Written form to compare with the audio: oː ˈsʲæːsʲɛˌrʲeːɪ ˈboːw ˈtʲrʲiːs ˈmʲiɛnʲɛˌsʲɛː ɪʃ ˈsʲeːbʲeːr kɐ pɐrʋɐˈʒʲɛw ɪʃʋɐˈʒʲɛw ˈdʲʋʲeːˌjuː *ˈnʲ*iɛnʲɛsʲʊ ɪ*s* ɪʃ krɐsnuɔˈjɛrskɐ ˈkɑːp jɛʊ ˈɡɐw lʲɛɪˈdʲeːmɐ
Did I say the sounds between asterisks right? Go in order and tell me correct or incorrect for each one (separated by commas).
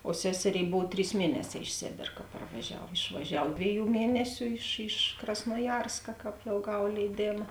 incorrect, incorrect